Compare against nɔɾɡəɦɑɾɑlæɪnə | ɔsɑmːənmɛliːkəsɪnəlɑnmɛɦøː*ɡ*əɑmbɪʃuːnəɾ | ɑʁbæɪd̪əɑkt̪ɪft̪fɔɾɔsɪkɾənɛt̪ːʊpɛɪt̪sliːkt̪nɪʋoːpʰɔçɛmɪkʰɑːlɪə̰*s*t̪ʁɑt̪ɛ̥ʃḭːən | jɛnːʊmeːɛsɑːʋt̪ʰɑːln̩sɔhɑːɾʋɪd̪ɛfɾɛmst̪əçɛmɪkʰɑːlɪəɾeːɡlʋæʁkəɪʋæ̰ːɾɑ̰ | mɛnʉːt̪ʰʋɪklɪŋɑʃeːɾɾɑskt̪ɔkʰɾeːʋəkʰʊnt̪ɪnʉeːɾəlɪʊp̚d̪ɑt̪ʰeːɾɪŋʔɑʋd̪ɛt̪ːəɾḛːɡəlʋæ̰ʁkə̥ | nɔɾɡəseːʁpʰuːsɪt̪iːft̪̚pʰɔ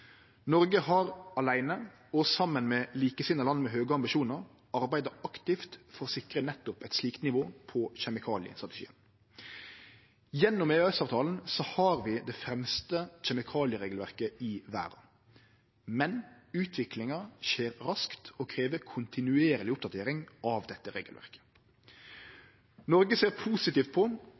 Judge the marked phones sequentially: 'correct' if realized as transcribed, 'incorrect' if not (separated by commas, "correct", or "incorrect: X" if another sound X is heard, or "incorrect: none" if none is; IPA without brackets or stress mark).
correct, correct